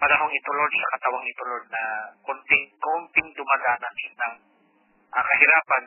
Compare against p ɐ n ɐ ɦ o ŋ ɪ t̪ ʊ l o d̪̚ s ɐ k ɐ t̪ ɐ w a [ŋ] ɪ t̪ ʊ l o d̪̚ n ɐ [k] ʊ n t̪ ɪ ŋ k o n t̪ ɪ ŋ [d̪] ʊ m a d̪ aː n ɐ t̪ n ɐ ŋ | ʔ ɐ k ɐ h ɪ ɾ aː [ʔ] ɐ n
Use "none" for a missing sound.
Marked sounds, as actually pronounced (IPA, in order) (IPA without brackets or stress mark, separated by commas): ŋ, k, d̪, p